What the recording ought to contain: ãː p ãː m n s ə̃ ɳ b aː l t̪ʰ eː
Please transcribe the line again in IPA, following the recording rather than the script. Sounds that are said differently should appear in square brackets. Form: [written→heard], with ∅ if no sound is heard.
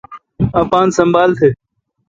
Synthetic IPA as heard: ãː p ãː [m→∅] n s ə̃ [ɳ→m] b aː l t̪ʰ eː

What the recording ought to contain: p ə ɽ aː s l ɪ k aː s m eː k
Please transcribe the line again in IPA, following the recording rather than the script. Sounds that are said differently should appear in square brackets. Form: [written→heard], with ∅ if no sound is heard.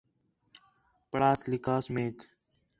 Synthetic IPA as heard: p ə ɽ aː s l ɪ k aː s m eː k

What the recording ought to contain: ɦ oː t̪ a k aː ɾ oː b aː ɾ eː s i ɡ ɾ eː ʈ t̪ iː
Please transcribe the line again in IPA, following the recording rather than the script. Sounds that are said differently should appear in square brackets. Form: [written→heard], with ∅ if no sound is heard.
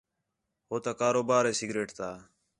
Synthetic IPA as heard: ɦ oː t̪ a k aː ɾ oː b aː ɾ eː s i ɡ ɾ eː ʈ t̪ [iː→aː]

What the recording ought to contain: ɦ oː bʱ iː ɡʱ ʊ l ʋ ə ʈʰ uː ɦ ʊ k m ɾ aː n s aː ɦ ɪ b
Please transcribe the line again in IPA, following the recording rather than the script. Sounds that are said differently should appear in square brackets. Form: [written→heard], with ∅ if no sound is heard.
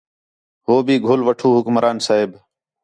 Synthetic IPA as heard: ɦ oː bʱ iː ɡʱ ʊ l ʋ ə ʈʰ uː ɦ ʊ k m ɾ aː n s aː ɦ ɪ b

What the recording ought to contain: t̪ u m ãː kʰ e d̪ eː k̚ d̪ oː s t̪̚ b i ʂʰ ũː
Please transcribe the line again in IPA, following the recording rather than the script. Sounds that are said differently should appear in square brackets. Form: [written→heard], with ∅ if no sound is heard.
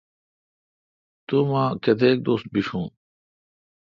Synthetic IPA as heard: t̪ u m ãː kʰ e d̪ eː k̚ d̪ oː s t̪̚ b i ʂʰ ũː

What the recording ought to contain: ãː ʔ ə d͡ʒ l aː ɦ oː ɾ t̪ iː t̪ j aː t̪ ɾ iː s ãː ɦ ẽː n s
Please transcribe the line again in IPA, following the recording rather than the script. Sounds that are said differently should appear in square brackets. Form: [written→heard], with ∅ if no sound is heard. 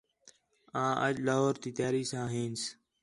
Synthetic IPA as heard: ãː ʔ ə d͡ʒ l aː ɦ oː ɾ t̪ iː t̪ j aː [t̪→∅] ɾ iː s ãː ɦ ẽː n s

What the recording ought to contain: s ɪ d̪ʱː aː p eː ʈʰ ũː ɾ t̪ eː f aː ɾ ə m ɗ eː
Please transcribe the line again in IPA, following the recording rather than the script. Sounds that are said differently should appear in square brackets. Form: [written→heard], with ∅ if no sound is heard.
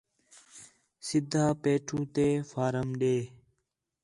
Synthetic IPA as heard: s ɪ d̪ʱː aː p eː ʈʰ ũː [ɾ→∅] t̪ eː f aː ɾ ə m ɗ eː

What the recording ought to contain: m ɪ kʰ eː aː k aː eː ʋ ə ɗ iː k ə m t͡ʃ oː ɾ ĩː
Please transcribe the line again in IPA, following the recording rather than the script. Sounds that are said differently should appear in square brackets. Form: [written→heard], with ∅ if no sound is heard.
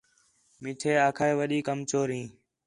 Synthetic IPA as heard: m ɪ [kʰ→ʈʰ] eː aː [k→kʰ] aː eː ʋ ə ɗ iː k ə m t͡ʃ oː ɾ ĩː

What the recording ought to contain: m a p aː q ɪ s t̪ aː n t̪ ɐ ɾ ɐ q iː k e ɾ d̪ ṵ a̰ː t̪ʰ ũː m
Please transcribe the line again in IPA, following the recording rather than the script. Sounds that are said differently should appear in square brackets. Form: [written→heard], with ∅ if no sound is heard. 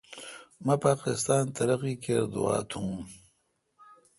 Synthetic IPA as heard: m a p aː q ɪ s t̪ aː n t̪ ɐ ɾ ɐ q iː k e ɾ d̪ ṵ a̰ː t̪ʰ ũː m

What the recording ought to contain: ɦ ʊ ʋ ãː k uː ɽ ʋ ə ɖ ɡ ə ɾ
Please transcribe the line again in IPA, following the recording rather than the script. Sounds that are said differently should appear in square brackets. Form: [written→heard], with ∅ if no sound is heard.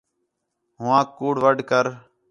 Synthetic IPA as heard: ɦ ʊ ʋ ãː k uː ɽ ʋ ə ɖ [ɡ→k] ə ɾ

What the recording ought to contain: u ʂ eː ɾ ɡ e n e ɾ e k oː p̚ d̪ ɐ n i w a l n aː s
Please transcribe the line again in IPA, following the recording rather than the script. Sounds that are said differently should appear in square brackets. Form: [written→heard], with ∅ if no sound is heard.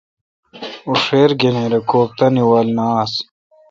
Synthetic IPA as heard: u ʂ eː ɾ ɡ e n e ɾ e k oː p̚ [d̪→t̪] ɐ n i w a l n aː s

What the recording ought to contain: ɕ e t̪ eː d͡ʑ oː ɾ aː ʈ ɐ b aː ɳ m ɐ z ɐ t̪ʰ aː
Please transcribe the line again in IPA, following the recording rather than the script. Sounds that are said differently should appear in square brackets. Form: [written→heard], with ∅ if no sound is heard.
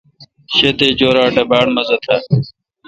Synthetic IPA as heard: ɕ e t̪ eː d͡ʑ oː ɾ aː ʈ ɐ b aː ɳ m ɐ z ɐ t̪ʰ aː

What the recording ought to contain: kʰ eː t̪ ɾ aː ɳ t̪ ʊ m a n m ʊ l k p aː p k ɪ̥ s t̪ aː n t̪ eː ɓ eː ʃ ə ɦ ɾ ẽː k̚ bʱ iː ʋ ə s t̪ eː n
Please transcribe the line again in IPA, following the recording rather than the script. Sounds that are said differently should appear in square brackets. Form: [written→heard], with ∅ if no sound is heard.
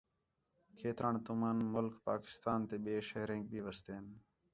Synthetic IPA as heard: kʰ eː t̪ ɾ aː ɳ t̪ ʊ m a n m ʊ l k p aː [p→∅] k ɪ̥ s t̪ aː n t̪ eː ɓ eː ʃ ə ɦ ɾ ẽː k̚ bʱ iː ʋ ə s t̪ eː n

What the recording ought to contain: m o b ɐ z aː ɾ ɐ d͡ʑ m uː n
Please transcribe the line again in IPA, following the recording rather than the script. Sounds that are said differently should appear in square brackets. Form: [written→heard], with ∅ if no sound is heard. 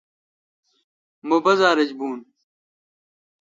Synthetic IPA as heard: m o b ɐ z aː ɾ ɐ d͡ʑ [m→b] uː n

